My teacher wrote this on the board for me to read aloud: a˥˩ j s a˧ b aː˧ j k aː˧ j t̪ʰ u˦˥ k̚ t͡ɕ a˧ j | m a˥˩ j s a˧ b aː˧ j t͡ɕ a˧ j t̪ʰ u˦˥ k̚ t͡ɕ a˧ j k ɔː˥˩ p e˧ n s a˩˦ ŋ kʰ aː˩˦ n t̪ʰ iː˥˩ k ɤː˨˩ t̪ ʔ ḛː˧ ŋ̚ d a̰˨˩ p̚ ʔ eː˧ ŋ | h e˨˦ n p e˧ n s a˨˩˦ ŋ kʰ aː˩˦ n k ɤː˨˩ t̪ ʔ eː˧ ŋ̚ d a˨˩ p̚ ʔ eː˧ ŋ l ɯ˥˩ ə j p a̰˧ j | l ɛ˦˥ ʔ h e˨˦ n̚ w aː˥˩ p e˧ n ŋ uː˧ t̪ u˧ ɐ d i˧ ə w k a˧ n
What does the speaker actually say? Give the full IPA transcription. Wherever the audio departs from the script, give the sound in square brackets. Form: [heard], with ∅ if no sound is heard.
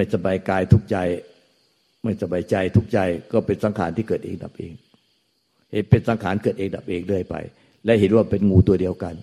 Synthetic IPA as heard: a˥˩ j s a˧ b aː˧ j k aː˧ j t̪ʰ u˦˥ k̚ t͡ɕ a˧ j | m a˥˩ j s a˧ b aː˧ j t͡ɕ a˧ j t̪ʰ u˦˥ k̚ t͡ɕ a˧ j k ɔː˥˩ p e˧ n s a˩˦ ŋ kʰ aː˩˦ n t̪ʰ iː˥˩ k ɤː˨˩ t̪ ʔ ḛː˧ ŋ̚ d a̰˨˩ p̚ ʔ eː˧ ŋ | h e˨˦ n p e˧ n s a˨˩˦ ŋ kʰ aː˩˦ n k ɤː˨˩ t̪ ʔ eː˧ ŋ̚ d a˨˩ p̚ ʔ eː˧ ŋ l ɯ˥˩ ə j p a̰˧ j | l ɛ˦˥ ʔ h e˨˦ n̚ w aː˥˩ p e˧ n ŋ uː˧ t̪ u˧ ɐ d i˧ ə w k a˧ n